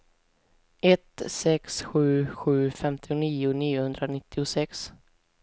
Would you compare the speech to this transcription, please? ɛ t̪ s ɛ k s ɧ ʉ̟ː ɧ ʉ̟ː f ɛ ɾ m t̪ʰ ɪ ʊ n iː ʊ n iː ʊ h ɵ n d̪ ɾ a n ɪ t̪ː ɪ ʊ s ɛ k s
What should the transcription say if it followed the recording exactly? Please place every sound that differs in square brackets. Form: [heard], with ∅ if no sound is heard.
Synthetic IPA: ɛ t̪ s ɛ k s ɧ ʉ̟ː ɧ ʉ̟ː f ɛ [∅] m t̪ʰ ɪ ʊ n iː ʊ n iː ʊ h ɵ n d̪ ɾ a n ɪ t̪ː ɪ ʊ s ɛ k s